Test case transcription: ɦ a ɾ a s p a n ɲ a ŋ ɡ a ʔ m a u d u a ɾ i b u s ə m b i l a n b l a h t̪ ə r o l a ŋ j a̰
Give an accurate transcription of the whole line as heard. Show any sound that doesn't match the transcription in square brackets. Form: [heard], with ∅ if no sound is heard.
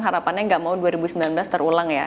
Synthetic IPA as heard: ɦ a ɾ a [∅] p a n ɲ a ŋ ɡ a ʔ m a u d u a ɾ i b u s ə m b i l a n b l a [s] t̪ ə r [u] l a ŋ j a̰